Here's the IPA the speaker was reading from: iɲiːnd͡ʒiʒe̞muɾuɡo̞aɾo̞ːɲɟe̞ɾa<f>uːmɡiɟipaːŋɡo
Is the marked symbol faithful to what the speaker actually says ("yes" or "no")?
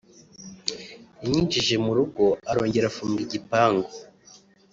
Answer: yes